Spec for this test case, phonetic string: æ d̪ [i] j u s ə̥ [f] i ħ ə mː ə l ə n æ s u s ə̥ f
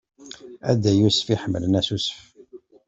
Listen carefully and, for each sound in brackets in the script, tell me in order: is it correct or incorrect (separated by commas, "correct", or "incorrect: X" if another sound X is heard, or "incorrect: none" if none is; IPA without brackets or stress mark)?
incorrect: æ, correct